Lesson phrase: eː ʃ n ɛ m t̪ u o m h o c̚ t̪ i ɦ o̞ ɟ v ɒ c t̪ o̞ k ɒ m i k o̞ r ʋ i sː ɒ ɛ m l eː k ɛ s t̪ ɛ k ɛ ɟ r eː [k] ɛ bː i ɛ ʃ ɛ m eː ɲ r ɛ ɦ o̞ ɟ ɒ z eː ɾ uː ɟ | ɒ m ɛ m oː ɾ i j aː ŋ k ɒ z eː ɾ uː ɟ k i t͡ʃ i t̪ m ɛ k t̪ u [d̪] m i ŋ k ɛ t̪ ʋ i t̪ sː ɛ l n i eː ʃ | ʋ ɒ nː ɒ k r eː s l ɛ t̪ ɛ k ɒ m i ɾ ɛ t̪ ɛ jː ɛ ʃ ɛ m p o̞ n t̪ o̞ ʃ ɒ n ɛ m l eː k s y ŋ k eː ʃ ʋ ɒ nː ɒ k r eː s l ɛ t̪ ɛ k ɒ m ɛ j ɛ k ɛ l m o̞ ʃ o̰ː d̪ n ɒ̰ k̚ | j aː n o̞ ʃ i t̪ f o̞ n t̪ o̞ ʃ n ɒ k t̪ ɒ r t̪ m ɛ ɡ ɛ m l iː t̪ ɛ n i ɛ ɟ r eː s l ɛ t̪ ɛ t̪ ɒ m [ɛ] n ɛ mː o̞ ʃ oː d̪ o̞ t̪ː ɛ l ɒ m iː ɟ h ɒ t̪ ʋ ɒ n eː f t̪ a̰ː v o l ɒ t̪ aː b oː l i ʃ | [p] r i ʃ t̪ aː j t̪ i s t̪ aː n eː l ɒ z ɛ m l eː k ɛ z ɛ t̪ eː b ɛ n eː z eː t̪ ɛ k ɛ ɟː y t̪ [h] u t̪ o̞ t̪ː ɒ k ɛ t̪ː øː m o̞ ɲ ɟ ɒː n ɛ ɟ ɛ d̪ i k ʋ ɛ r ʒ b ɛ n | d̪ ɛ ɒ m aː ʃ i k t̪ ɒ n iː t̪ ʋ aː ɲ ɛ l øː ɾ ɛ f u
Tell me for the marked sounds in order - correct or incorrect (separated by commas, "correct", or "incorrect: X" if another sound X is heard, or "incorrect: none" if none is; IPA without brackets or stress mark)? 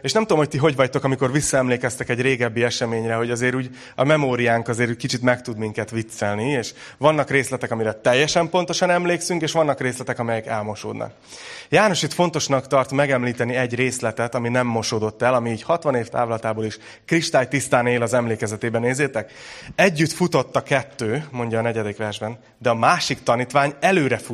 incorrect: ɡ, correct, incorrect: i, incorrect: k, incorrect: f